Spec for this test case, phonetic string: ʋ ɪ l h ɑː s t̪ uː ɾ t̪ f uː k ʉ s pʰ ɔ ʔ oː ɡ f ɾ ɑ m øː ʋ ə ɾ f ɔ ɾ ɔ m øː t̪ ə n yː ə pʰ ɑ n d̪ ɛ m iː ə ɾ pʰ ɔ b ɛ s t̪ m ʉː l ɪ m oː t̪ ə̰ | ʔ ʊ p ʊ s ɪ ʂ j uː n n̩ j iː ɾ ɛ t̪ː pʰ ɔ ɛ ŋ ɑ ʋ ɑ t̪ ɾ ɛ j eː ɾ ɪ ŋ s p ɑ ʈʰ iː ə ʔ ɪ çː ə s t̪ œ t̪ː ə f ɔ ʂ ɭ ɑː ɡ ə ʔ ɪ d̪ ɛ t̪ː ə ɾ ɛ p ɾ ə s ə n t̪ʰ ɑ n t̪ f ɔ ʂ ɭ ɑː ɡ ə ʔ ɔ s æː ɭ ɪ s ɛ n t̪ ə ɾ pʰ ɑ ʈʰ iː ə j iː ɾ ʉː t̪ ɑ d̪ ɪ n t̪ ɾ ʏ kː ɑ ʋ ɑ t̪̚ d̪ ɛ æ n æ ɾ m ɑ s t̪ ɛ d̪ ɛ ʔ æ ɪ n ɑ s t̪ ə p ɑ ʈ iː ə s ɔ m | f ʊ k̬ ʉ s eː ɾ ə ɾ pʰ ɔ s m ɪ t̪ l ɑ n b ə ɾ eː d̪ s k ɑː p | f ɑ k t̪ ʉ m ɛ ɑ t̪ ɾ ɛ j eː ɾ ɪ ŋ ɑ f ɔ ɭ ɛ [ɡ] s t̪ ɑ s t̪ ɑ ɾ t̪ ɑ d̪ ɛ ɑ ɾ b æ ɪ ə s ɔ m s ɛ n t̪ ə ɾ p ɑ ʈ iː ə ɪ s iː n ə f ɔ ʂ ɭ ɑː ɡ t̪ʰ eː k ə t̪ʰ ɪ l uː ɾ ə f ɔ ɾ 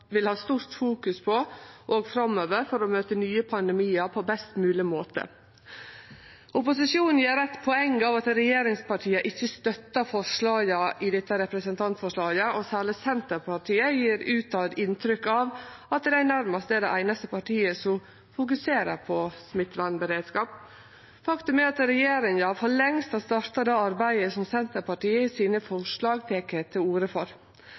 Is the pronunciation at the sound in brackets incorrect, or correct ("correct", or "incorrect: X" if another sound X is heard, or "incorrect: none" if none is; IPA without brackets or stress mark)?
incorrect: ŋ